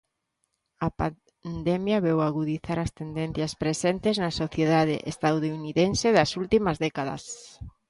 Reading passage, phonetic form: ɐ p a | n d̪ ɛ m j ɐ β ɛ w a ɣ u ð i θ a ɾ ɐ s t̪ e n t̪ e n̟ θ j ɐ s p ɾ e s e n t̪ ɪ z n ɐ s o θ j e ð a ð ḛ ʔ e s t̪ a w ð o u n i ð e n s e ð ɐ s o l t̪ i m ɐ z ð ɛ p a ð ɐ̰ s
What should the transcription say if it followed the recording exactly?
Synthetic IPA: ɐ p a | n d̪ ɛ m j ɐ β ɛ w a ɣ u ð i θ a ɾ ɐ s t̪ e n d̪ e n̟ θ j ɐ s p ɾ e s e n t̪ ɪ z n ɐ s o θ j e ð a ð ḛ ʔ e s t̪ a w ð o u n i ð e n s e ð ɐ s u l t̪ i m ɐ z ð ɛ k a ð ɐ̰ s

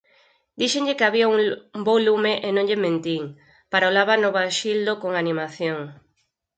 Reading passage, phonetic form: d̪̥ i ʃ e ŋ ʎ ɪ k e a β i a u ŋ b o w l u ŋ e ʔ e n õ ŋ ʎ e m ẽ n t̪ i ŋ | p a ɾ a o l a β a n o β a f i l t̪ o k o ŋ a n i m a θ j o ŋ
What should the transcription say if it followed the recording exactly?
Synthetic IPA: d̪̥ i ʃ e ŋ ʎ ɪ k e a β i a u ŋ b o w l u m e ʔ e n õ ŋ ʎ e m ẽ n t̪ i ŋ | p a ɾ a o l a β a n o β a ʃ i l d̪ o k o ŋ a n i m a θ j o ŋ

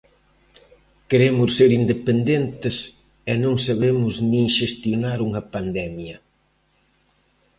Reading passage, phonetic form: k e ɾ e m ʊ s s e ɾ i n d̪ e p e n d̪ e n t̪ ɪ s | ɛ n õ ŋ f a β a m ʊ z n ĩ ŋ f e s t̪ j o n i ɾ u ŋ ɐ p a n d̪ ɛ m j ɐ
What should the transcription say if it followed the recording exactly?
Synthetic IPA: k e ɾ e m ʊ s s e ɾ i n d̪ e p e n d̪ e n t̪ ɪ s | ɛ n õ ŋ s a β e m ʊ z n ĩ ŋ ʃ e s t̪ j o n a ɾ u ŋ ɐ p a n d̪ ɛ m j ɐ

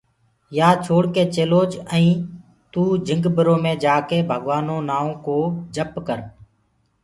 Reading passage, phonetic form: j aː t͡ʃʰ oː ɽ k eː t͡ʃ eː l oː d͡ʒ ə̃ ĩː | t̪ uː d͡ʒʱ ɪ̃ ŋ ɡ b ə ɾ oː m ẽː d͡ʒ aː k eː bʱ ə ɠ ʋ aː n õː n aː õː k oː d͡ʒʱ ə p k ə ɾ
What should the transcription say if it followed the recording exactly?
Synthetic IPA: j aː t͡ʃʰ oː ɽ k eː t͡ʃ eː l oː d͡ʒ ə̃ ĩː | t̪ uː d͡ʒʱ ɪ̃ ŋ ɡ b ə ɾ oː m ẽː d͡ʒ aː k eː bʱ ə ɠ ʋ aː n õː n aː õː k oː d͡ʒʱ ə p k ə ɾ

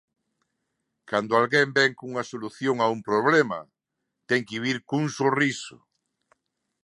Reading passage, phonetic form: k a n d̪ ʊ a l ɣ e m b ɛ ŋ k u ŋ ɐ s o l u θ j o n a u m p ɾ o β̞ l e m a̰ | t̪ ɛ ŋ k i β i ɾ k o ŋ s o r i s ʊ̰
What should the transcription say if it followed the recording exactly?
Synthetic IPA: k a n d̪ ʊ a l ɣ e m b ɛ ŋ k u ŋ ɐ s o l u θ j o ŋ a u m p ɾ o β̞ l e m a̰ | t̪ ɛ ŋ k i β i ɾ k u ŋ s o r i s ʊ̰

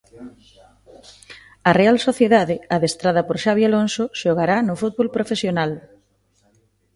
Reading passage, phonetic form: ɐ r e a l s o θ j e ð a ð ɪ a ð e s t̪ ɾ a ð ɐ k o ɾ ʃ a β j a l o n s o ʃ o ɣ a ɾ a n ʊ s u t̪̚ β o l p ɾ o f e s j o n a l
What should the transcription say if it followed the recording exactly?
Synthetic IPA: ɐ r e a l s o θ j e ð a ð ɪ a ð e s t̪ ɾ a ð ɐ p o ɾ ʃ a β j a l o n s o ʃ o ɣ a ɾ a n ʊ f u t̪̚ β o l p ɾ o f e s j o n a l

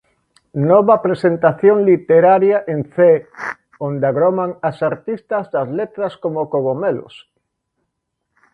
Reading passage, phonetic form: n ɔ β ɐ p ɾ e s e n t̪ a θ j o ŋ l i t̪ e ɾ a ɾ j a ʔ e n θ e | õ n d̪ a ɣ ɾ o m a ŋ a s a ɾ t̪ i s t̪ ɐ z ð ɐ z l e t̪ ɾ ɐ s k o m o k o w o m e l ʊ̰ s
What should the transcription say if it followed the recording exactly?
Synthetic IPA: n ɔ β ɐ p ɾ e s e n t̪ a θ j o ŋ l i t̪ e ɾ a ɾ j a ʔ e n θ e | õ n d̪ a ɣ ɾ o m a ŋ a s a ɾ t̪ i s t̪ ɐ z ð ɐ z l e t̪ ɾ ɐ s k o m o k o ɣ o m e l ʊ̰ s

